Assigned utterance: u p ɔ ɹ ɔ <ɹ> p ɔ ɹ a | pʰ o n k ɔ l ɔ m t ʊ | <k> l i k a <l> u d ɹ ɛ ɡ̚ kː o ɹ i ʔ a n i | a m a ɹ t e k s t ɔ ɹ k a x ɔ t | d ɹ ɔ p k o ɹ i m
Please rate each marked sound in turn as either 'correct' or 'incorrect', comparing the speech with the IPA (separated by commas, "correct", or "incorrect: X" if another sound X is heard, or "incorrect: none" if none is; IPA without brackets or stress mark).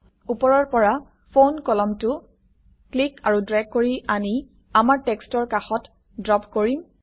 correct, correct, incorrect: ɹ